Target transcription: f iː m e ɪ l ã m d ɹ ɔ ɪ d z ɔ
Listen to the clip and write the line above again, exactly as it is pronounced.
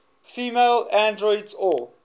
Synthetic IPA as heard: f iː m e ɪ l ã n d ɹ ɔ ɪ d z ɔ